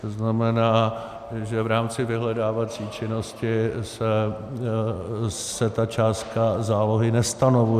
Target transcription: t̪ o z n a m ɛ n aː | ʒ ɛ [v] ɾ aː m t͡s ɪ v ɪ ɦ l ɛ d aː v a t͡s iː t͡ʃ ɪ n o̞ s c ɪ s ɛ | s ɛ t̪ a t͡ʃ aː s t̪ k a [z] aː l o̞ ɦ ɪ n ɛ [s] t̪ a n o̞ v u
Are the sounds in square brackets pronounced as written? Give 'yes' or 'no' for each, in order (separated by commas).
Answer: yes, yes, yes